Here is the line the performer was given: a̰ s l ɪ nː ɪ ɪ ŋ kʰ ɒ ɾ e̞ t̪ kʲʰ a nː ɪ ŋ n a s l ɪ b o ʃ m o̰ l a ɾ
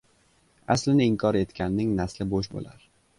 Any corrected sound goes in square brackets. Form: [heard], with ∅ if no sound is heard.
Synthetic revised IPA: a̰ s l ɪ [n] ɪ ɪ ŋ kʰ ɒ ɾ e̞ t̪ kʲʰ a nː ɪ ŋ n a s l ɪ b o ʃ [b] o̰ l a ɾ